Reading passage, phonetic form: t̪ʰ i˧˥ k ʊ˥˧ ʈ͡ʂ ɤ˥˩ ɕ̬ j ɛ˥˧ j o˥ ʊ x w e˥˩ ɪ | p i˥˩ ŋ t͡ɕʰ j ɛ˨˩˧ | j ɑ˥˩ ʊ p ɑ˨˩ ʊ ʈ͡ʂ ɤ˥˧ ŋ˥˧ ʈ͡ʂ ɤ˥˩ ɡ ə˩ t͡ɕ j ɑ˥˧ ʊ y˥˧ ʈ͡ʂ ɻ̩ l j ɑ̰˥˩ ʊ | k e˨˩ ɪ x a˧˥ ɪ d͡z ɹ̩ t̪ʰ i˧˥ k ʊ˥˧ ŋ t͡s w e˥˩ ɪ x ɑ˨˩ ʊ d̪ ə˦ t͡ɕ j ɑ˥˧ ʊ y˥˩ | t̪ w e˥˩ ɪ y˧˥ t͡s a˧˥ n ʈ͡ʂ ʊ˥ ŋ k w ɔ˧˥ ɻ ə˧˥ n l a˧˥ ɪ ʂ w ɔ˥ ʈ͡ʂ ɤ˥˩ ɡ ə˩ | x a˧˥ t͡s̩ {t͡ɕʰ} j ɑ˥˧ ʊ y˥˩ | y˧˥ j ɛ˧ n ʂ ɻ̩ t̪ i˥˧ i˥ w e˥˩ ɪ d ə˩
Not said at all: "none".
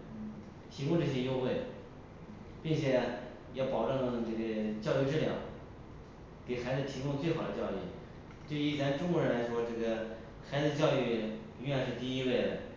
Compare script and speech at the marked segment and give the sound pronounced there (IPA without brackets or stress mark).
t͡ɕ